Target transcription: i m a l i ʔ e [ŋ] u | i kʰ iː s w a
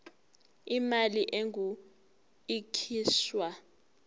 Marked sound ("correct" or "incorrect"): correct